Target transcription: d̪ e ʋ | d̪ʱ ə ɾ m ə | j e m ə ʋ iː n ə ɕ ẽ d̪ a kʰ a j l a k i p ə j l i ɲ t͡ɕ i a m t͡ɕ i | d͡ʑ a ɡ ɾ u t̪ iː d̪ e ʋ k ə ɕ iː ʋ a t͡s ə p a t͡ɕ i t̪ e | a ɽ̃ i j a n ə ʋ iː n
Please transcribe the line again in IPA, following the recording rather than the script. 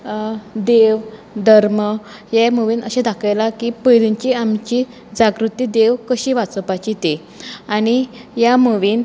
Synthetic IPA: d̪ e ʋ | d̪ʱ ə ɾ m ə | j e m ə ʋ iː n ə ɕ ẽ d̪ a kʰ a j l a k i p ə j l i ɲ t͡ɕ i a m t͡ɕ i | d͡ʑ a ɡ ɾ u t̪ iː d̪ e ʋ k ə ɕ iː ʋ a t͡s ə p a t͡ɕ i t̪ e | a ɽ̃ i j a m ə ʋ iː n